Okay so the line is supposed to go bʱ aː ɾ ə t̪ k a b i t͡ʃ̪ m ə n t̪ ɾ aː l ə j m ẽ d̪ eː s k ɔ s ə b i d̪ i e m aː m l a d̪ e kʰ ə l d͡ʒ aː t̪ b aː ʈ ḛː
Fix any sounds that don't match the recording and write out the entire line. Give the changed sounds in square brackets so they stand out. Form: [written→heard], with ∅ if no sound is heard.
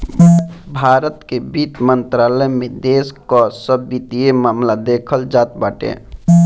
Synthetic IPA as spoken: bʱ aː ɾ ə t̪ k [a→e] b i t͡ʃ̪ m ə n t̪ ɾ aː l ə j m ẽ d̪ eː s k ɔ s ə b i [d̪→t̪] i e m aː m l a d̪ e kʰ ə l d͡ʒ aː t̪ b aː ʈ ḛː